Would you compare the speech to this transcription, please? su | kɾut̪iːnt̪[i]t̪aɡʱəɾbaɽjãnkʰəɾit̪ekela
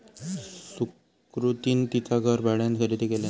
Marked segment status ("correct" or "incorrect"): correct